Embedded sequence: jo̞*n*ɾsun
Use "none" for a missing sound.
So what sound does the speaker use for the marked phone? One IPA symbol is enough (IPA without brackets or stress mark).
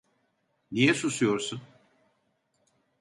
none